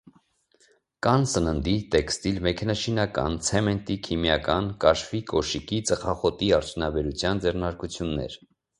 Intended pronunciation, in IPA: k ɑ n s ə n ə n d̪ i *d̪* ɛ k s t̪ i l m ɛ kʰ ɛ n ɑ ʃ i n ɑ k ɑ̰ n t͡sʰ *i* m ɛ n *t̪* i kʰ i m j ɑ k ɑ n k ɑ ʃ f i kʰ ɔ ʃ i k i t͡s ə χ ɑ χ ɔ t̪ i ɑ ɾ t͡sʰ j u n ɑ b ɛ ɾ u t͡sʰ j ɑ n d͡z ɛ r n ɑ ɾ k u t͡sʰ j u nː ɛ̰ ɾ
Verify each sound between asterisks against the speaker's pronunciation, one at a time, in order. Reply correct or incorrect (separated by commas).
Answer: incorrect, incorrect, correct